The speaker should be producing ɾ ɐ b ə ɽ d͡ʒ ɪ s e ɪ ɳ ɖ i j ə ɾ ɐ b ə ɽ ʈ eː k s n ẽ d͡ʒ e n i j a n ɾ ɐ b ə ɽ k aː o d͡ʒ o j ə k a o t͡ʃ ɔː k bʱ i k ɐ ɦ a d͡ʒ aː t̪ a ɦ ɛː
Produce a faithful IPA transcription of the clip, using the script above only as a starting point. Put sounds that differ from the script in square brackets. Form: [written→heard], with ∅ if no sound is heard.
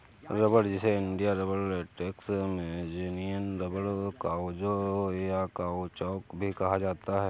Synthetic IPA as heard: ɾ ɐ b ə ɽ d͡ʒ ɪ s e ɪ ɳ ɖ i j [ə→a] ɾ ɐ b ə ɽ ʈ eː k s [n→m] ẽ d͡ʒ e n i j [a→ə] n ɾ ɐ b ə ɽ k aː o d͡ʒ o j [ə→a] k a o t͡ʃ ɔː k bʱ i k ɐ ɦ a d͡ʒ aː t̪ a ɦ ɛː